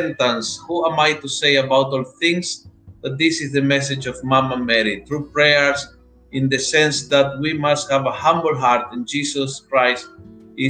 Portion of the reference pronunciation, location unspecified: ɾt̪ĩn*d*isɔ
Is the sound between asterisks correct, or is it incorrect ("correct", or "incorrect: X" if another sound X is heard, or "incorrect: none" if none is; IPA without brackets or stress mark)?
incorrect: d͡ʒ